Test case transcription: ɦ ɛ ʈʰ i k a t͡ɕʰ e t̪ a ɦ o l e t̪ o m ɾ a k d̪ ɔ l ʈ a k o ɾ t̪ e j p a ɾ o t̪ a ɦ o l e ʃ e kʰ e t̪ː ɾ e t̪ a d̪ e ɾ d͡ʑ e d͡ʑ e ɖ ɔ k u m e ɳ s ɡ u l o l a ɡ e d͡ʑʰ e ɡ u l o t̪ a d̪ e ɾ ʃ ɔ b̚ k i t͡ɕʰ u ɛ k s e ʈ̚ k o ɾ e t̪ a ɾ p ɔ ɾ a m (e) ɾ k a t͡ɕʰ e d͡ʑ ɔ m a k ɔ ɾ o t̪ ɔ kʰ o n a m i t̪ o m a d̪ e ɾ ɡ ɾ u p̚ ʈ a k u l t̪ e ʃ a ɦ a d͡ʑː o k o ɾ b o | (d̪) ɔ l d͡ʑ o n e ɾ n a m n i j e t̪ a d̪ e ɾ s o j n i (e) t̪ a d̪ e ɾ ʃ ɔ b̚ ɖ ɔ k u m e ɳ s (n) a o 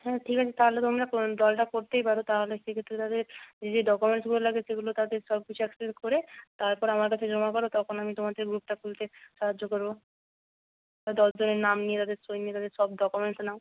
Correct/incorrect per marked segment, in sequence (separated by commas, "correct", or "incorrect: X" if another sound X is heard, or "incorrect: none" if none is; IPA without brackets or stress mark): incorrect: a, correct, correct, correct